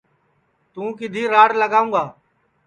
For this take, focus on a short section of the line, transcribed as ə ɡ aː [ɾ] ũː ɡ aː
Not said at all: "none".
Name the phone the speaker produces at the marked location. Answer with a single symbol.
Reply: none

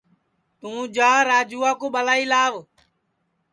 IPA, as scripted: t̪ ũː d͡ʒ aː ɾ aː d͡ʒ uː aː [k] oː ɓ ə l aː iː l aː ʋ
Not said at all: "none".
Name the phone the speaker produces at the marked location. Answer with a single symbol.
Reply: k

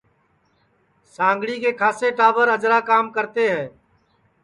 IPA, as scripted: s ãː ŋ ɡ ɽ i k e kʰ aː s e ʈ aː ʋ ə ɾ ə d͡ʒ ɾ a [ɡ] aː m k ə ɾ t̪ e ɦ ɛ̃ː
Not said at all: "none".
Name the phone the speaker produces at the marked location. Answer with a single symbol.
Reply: k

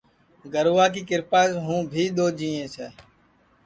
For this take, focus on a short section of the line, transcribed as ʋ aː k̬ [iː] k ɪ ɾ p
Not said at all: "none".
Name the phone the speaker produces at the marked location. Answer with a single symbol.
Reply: iː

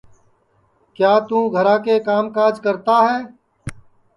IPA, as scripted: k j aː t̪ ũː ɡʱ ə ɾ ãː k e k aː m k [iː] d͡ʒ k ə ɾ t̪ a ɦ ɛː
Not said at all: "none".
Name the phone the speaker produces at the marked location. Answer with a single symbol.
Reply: aː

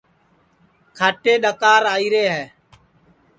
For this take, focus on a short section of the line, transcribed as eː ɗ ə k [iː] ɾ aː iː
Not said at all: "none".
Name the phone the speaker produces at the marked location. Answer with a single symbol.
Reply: aː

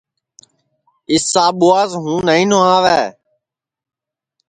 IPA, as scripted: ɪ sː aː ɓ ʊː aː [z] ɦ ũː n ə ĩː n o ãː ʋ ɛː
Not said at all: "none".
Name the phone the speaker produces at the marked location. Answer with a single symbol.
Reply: z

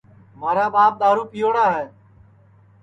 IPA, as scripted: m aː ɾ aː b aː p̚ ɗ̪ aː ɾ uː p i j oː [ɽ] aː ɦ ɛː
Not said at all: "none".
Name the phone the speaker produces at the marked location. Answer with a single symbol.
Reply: ɽ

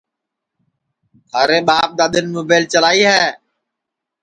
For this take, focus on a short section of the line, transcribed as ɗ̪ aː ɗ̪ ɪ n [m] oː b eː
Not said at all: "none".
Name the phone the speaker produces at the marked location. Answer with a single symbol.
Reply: m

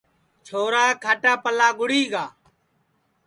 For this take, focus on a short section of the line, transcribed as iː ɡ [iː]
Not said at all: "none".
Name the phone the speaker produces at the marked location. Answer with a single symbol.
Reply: aː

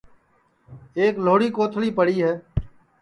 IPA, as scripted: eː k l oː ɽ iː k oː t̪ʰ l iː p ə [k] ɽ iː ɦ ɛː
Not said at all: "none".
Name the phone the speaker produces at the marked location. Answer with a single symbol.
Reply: none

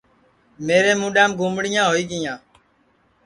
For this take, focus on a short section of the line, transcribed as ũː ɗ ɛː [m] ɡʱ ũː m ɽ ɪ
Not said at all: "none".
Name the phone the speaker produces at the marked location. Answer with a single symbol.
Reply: m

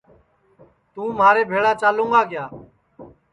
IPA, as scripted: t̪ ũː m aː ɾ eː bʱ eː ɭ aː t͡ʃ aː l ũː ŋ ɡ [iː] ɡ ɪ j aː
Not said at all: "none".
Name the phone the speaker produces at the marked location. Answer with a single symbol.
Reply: aː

